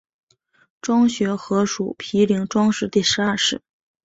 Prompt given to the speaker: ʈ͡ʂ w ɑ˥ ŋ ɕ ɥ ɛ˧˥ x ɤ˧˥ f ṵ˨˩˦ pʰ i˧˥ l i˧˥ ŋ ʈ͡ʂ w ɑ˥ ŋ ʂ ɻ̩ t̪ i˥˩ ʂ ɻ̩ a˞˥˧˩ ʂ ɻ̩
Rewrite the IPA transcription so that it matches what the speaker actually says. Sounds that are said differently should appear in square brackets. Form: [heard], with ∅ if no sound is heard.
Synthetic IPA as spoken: ʈ͡ʂ w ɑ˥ ŋ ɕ ɥ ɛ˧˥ x ɤ˧˥ [ʂ] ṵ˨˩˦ pʰ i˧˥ l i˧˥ ŋ ʈ͡ʂ w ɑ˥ ŋ ʂ ɻ̩ t̪ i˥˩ ʂ ɻ̩ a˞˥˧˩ ʂ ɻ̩